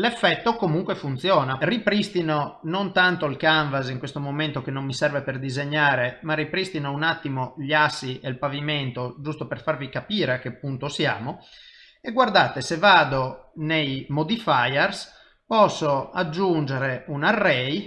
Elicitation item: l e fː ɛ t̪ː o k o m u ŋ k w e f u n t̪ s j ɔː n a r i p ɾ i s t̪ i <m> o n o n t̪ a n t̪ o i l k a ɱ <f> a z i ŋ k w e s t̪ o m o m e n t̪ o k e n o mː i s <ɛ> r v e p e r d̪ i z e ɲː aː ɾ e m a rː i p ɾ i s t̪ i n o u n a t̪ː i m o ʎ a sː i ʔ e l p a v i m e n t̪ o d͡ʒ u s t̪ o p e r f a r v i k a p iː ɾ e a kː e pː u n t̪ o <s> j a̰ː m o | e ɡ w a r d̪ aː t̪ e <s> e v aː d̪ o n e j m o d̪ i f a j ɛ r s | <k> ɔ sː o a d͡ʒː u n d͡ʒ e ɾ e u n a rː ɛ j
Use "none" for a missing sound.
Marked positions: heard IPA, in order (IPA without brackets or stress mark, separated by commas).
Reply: n, v, ɛ, s, s, p